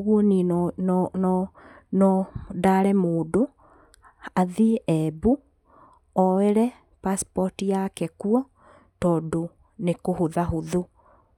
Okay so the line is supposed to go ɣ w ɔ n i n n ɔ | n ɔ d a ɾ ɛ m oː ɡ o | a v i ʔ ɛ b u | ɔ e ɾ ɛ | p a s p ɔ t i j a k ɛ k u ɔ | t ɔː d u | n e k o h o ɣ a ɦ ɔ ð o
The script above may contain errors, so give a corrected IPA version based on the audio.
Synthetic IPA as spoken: ɣ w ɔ n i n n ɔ | n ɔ d a ɾ ɛ m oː d o | a ð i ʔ ɛ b u | ɔ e ɾ ɛ | p a s p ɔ t i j a k ɛ k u ɔ | t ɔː d o | n e k o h o ð a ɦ o ð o